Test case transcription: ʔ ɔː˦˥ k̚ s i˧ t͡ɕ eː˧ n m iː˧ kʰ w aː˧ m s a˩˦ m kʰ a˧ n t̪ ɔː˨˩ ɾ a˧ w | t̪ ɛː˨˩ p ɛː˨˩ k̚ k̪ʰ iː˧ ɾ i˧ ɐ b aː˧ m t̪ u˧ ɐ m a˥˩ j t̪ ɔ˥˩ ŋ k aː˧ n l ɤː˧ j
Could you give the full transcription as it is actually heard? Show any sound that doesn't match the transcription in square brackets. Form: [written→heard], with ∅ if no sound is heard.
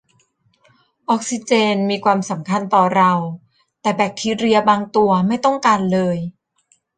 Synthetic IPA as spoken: ʔ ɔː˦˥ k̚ s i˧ t͡ɕ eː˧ n m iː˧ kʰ w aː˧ m s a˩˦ m kʰ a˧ n t̪ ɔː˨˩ ɾ a˧ w | t̪ ɛː˨˩ [p→b] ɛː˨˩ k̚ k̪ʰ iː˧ ɾ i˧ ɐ b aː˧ [m→ŋ] t̪ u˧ ɐ m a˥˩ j t̪ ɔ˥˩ ŋ k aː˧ n l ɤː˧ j